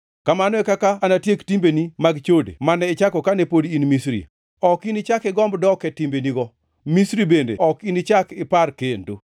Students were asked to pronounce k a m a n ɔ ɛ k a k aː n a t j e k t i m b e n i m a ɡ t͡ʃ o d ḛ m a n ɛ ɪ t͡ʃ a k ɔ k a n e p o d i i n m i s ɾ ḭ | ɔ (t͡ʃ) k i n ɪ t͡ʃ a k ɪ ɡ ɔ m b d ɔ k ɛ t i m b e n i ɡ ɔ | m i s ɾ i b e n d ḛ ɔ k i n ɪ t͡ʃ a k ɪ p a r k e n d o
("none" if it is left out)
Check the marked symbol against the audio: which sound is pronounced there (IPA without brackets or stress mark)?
none